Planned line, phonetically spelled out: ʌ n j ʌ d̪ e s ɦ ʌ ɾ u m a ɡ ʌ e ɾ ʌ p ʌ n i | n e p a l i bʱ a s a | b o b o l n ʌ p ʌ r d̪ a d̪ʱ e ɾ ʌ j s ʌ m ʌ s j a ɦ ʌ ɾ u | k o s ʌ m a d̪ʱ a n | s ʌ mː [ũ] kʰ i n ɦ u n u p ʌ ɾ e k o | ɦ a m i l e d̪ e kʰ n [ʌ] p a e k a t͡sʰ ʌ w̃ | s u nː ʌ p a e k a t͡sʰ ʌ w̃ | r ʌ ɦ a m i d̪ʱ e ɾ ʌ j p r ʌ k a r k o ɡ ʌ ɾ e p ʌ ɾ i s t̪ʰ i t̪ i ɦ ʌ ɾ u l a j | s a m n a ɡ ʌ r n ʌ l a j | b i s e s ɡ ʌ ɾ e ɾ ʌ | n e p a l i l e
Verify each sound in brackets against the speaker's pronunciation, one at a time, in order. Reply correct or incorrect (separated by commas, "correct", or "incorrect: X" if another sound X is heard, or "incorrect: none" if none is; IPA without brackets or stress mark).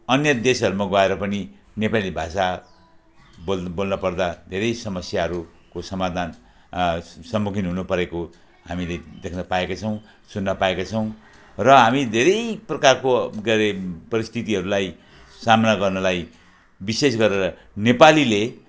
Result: incorrect: u, correct